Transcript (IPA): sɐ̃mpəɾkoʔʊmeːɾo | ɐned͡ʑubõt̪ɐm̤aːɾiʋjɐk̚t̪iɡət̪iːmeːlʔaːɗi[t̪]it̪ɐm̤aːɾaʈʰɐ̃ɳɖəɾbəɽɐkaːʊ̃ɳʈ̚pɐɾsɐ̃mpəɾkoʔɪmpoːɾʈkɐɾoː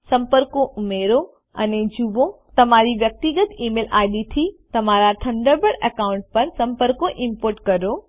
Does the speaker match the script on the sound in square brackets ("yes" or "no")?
no